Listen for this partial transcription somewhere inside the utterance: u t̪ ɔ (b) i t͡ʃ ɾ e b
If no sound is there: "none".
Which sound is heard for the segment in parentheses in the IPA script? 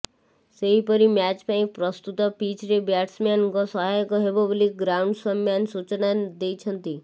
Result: p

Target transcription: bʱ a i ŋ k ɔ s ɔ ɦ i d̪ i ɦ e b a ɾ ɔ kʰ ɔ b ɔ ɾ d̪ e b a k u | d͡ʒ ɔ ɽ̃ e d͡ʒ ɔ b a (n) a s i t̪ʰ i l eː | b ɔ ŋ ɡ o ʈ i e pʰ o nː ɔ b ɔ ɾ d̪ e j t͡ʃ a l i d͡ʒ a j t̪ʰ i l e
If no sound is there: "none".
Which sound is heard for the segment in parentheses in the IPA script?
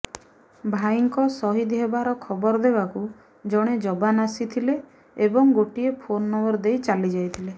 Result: n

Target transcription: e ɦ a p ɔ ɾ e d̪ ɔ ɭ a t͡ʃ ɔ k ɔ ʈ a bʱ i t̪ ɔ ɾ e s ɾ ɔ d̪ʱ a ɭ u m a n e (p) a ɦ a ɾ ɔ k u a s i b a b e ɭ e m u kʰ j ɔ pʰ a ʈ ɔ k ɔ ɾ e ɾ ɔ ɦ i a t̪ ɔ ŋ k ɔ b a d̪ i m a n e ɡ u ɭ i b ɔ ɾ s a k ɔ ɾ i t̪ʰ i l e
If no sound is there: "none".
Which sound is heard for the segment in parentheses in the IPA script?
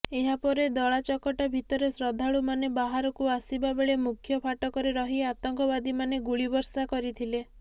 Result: b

